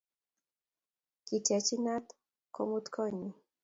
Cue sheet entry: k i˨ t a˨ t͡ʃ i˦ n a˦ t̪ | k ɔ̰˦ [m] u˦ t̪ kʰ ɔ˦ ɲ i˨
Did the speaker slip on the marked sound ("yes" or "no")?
no